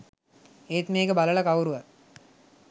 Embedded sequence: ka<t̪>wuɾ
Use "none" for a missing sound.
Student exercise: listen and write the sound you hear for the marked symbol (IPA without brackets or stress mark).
none